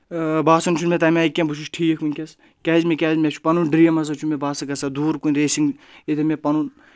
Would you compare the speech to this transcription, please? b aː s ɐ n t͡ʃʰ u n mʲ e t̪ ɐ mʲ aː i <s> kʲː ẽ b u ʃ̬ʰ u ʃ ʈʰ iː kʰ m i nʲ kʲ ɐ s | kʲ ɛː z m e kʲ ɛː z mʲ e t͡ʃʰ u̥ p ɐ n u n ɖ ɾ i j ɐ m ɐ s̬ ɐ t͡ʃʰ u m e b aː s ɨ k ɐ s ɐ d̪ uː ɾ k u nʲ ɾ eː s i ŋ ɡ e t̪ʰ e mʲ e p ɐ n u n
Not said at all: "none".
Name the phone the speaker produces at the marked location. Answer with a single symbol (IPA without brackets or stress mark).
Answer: none